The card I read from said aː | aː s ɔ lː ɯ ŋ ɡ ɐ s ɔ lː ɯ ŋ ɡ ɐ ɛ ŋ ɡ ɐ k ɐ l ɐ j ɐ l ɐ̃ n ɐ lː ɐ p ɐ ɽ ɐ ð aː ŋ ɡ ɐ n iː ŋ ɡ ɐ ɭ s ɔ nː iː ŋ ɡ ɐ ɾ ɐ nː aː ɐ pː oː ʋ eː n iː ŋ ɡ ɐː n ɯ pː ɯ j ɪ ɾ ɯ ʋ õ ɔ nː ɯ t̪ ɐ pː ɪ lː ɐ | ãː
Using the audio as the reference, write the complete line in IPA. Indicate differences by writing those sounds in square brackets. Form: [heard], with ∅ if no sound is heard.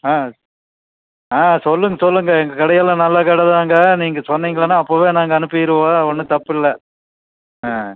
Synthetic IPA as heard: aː | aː s ɔ lː ɯ ŋ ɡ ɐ s ɔ lː ɯ ŋ ɡ ɐ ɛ ŋ ɡ ɐ k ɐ [ɽ] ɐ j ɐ l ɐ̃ n ɐ lː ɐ [k] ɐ ɽ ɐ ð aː ŋ ɡ ɐ n iː ŋ ɡ ɐ [∅] s ɔ nː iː ŋ ɡ ɐ [ɭ] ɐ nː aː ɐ pː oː ʋ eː n [aː] ŋ ɡ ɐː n ɯ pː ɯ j ɪ ɾ ɯ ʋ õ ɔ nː ɯ t̪ ɐ pː ɪ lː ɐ | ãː

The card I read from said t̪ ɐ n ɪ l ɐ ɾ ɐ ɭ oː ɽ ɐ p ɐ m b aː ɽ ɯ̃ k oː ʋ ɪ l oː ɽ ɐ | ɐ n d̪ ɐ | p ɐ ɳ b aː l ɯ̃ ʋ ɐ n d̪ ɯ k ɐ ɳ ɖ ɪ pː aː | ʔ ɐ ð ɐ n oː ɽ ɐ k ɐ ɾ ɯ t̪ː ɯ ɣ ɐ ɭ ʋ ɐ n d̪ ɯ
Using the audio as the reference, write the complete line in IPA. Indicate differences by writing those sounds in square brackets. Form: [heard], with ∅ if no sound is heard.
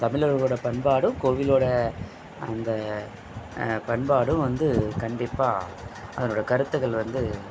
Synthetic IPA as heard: t̪ ɐ [m] ɪ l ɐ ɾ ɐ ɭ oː ɽ ɐ p ɐ [ɳ] b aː ɽ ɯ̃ k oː ʋ ɪ l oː ɽ ɐ | ɐ n d̪ ɐ | p ɐ ɳ b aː [ɽ] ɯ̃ ʋ ɐ n d̪ ɯ k ɐ ɳ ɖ ɪ pː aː | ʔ ɐ ð ɐ n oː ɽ ɐ k ɐ ɾ ɯ t̪ː ɯ ɣ ɐ ɭ ʋ ɐ n d̪ ɯ

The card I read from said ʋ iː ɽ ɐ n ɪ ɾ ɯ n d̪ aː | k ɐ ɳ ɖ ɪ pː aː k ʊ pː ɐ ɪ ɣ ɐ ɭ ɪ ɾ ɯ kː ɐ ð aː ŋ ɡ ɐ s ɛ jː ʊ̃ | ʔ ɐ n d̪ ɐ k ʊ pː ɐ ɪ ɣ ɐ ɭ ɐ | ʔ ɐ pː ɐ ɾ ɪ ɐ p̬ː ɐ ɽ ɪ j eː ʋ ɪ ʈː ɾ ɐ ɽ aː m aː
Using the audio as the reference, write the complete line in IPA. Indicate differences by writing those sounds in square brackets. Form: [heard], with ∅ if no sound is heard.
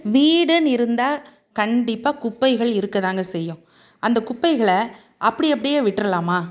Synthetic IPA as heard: ʋ iː ɽ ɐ n ɪ ɾ ɯ n d̪ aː | k ɐ ɳ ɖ ɪ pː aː k ʊ pː ɐ ɪ ɣ ɐ ɭ ɪ ɾ ɯ kː ɐ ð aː ŋ ɡ ɐ s ɛ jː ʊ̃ | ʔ ɐ n d̪ ɐ k ʊ pː ɐ ɪ ɣ ɐ ɭ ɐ | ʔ ɐ pː ɐ [ɽ] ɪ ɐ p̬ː ɐ ɽ ɪ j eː ʋ ɪ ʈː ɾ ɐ [l] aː m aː

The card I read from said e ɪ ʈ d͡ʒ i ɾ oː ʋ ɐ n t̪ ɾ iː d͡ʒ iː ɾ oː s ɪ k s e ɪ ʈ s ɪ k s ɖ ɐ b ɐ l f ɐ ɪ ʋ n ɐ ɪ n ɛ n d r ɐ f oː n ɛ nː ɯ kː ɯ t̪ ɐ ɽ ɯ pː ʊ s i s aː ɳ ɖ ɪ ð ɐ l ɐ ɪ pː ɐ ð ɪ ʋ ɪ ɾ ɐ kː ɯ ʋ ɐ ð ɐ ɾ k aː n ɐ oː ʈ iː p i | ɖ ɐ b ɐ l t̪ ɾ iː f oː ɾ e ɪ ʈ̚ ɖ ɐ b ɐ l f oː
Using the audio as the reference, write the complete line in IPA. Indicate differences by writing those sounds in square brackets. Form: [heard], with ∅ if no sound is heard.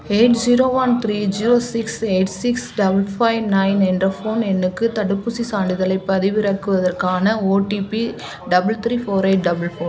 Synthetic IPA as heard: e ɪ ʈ d͡ʒ i ɾ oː ʋ ɐ n t̪ ɾ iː d͡ʒ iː ɾ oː s ɪ k s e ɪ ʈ s ɪ k s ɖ ɐ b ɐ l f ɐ ɪ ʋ n ɐ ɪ n ɛ n d r ɐ f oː n ɛ nː ɯ kː ɯ t̪ ɐ ɽ ɯ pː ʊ s i s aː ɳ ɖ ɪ ð ɐ l ɐ ɪ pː ɐ ð ɪ ʋ ɪ ɾ ɐ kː ɯ ʋ ɐ ð ɐ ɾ k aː n ɐ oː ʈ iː p i | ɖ ɐ b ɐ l t̪ ɾ iː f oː ɾ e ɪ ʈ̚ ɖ ɐ b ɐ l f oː

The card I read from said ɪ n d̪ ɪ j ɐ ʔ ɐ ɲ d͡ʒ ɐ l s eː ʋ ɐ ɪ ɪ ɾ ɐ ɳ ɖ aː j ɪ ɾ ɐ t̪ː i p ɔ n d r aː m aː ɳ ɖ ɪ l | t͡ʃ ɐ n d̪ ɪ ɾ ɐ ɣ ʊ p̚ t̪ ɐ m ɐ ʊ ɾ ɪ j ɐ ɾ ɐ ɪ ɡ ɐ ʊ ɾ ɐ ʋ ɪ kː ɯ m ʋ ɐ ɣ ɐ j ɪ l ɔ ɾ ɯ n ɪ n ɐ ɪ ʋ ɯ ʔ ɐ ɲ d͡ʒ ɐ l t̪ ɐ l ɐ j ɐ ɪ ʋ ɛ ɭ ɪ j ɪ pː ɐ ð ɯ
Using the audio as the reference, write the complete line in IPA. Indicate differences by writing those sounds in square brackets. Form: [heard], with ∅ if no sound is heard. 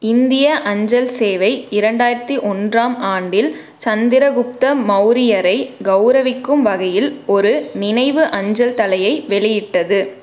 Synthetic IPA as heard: ɪ n d̪ ɪ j ɐ ʔ ɐ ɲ d͡ʒ ɐ l s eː ʋ ɐ ɪ ɪ ɾ ɐ ɳ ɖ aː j ɪ ɾ ɐ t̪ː i [ʔ] ɔ n d r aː m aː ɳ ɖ ɪ l | t͡ʃ ɐ n d̪ ɪ ɾ ɐ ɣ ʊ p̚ t̪ ɐ m ɐ ʊ ɾ ɪ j ɐ ɾ ɐ ɪ ɡ ɐ ʊ ɾ ɐ ʋ ɪ kː ɯ m ʋ ɐ ɣ ɐ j ɪ l ɔ ɾ ɯ n ɪ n ɐ ɪ ʋ ɯ ʔ ɐ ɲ d͡ʒ ɐ l t̪ ɐ l ɐ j ɐ ɪ ʋ ɛ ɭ ɪ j ɪ [ʈː] ɐ ð ɯ

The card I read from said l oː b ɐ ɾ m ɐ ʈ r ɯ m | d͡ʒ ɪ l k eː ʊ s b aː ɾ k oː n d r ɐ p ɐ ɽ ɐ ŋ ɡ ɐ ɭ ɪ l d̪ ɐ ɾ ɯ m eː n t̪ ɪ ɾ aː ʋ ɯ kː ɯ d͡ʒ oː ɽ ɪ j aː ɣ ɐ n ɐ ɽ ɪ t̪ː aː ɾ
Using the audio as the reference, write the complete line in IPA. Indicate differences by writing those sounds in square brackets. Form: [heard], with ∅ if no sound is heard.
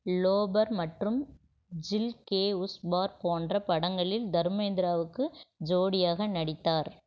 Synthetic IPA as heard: l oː b ɐ ɾ m ɐ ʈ r ɯ m | d͡ʒ ɪ l k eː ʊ s b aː ɾ [p] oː n d r ɐ p ɐ ɽ ɐ ŋ ɡ ɐ ɭ ɪ l d̪ ɐ ɾ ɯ m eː n [d̪] ɪ ɾ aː ʋ ɯ kː ɯ d͡ʒ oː ɽ ɪ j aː ɣ ɐ n ɐ ɽ ɪ t̪ː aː ɾ

